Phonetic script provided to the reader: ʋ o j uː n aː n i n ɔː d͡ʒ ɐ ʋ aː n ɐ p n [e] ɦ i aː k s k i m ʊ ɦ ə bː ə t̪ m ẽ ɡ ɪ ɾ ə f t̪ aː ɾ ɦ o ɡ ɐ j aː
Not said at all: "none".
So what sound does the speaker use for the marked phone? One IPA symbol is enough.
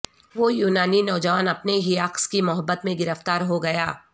e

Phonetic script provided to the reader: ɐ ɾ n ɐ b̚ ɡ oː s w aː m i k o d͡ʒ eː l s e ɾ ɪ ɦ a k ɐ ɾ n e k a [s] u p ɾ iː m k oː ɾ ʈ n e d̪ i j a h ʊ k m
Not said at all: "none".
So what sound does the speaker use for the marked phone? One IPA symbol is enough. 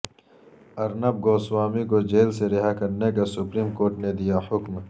s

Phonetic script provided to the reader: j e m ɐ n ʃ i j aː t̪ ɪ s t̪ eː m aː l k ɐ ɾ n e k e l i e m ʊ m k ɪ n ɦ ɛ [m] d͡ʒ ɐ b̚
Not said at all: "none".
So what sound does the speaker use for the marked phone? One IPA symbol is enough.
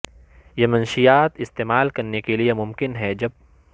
none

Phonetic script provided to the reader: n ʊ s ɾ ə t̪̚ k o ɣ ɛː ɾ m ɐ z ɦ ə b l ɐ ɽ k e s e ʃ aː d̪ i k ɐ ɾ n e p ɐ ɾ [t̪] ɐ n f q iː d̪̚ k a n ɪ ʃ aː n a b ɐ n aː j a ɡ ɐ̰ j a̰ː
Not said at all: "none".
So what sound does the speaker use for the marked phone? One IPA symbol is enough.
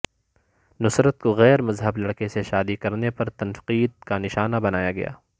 t̪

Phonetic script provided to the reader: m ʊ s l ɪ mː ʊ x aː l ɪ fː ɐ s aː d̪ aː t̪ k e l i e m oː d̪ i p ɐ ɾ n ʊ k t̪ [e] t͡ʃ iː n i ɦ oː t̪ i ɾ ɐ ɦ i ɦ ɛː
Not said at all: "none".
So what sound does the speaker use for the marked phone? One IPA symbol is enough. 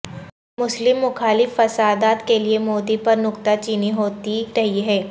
a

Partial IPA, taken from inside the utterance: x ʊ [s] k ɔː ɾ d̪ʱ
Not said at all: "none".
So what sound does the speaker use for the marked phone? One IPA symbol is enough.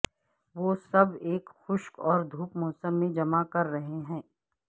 ʃ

